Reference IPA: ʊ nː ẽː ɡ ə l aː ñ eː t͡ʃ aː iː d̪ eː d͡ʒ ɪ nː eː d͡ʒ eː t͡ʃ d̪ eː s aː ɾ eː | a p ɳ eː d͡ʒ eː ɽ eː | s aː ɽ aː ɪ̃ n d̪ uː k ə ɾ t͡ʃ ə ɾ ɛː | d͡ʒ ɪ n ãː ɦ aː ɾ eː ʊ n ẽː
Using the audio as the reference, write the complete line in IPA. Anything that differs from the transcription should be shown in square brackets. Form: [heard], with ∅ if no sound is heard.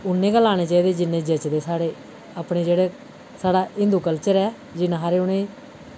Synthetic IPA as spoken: ʊ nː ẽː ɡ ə l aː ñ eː t͡ʃ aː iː d̪ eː d͡ʒ ɪ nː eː d͡ʒ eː t͡ʃ d̪ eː s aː [ɽ] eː | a p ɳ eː d͡ʒ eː ɽ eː | s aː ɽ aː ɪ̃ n d̪ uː k ə [l] t͡ʃ ə ɾ ɛː | d͡ʒ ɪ n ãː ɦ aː ɾ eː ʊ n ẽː